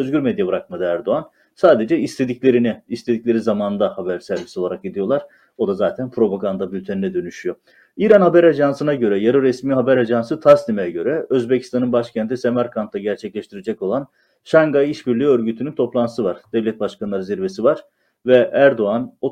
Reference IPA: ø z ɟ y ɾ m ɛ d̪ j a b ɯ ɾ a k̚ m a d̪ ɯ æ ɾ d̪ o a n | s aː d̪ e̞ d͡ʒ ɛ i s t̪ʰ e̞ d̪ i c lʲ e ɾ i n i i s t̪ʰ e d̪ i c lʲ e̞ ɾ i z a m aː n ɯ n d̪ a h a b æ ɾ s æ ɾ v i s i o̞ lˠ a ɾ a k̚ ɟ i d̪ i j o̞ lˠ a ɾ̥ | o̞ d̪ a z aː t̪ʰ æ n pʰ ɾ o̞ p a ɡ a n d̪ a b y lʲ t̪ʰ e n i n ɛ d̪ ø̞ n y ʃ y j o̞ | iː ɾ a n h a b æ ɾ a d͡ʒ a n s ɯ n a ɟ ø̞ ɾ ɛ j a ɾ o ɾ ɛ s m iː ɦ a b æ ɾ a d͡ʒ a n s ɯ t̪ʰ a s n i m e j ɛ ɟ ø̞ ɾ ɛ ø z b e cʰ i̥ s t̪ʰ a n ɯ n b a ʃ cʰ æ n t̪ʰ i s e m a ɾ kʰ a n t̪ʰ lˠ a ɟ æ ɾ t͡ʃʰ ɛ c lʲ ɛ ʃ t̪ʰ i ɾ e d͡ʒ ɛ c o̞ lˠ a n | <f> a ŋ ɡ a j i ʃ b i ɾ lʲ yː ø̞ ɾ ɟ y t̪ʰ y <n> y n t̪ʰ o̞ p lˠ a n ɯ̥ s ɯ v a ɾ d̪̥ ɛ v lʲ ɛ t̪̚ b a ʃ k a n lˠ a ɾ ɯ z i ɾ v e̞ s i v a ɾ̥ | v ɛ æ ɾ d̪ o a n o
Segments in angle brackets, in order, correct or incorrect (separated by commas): incorrect, correct